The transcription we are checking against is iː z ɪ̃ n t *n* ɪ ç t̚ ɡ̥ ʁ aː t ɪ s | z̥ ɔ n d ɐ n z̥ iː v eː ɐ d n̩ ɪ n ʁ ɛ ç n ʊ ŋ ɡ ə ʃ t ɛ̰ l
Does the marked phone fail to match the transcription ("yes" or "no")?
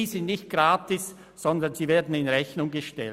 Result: no